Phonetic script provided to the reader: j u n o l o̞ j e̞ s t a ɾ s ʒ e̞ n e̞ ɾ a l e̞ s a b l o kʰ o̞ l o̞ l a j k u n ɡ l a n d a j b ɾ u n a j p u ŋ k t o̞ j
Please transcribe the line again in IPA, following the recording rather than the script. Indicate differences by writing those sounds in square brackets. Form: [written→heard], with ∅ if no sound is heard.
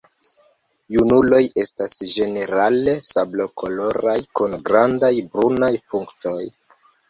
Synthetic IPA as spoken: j u n [o→u] l o̞ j e̞ s t a [ɾ→∅] s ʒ e̞ n e̞ ɾ a l e̞ s a b l o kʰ o̞ l o̞ [l→ɾ] a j k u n ɡ [l→ɾ] a n d a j b ɾ u n a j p u ŋ k t o̞ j